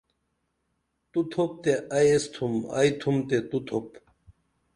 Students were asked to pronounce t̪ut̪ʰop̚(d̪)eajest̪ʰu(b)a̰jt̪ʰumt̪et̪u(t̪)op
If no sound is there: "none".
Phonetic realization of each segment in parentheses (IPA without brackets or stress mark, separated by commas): t̪, m, t̪ʰ